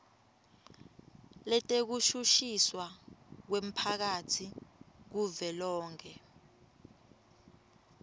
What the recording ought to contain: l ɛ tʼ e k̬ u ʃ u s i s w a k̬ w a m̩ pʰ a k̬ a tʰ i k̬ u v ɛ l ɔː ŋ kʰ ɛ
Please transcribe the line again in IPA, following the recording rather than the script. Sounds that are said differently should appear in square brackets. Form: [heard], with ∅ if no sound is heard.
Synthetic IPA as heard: l ɛ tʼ e k̬ u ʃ u [ʃ] i s w a k̬ w [e] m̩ pʰ a k̬ a tʰ i k̬ u v ɛ l ɔː ŋ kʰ ɛ